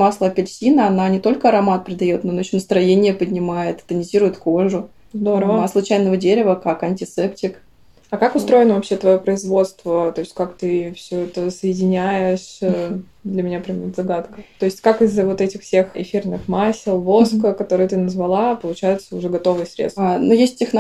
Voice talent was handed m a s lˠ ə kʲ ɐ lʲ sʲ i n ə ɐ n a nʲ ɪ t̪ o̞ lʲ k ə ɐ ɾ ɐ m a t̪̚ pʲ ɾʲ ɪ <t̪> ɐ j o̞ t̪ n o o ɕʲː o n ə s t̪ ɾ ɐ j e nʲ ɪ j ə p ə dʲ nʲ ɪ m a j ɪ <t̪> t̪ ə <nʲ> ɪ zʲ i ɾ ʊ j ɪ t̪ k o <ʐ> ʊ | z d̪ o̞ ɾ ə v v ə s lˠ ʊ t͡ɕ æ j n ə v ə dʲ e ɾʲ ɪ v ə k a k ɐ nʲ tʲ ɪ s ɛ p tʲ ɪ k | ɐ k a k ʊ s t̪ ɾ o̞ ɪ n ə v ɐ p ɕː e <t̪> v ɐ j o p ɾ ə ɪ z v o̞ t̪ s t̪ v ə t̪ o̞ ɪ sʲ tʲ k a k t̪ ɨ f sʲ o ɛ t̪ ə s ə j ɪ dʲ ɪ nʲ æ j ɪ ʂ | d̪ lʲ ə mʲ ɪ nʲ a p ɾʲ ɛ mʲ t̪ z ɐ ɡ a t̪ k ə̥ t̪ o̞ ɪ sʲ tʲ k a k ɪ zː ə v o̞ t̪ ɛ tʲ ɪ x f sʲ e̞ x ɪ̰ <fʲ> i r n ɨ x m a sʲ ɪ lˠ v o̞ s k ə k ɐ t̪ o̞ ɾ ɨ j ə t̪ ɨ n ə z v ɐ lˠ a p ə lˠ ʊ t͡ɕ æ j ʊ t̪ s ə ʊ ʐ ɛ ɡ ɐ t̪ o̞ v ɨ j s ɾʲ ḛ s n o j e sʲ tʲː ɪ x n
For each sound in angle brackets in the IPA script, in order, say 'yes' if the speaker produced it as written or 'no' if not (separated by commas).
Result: no, yes, yes, yes, yes, yes